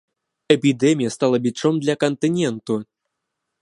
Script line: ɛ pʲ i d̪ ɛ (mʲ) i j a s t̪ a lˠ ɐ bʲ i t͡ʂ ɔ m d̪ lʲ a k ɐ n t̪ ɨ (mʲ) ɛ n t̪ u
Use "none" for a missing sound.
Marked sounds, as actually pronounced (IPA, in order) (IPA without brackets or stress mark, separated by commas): mʲ, nʲ